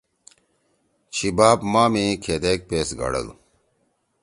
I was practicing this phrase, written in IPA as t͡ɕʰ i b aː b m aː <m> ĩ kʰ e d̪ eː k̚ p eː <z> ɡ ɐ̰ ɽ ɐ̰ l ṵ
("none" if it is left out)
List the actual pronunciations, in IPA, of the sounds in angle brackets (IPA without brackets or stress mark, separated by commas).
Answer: m, s